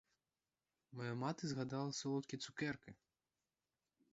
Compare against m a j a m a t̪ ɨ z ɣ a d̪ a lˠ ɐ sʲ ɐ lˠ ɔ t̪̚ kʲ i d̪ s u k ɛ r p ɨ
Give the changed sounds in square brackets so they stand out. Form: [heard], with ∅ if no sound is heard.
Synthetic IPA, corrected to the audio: m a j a m a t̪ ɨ z ɣ a d̪ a lˠ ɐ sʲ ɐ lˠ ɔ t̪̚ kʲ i [t̪] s u k ɛ r [k] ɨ